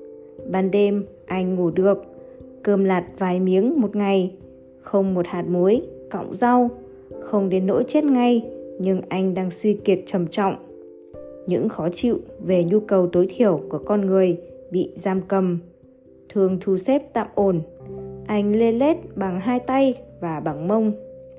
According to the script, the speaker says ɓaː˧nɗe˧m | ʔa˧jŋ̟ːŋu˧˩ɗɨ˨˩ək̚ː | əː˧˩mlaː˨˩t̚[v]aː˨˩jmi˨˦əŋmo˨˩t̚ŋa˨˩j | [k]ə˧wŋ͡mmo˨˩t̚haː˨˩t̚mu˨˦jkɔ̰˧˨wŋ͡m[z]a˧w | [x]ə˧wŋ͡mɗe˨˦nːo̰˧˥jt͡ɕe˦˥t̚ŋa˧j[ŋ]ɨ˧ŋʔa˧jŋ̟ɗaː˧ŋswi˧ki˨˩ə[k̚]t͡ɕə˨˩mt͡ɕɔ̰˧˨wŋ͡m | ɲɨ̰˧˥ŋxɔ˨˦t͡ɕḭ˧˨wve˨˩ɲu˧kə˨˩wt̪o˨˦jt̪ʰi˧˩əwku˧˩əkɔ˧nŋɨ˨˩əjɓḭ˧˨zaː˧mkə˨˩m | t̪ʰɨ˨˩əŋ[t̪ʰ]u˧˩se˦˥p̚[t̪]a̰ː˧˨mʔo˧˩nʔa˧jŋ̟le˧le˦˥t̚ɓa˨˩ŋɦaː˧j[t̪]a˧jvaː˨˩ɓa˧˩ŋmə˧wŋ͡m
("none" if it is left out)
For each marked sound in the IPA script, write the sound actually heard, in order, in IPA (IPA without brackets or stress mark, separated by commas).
v, x, z, x, ɲ, t̚, t̪ʰ, t̪, t̪